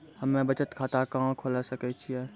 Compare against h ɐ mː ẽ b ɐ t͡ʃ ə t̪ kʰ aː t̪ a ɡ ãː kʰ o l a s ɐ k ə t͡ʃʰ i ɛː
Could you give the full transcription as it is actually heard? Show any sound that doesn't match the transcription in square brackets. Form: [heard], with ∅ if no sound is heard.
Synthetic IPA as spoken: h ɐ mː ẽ b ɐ t͡ʃ ə t̪ kʰ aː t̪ a [k] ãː kʰ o l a s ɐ k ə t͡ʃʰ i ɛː